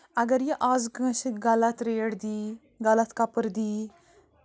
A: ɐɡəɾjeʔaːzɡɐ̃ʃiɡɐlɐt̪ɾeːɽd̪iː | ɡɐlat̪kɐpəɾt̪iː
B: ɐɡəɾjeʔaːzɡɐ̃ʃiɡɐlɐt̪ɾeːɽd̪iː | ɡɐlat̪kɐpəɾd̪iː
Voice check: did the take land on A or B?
B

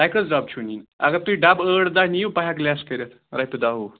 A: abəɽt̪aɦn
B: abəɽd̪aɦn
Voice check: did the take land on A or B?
B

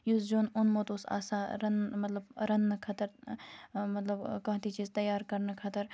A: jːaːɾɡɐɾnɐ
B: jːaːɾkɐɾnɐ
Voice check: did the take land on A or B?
B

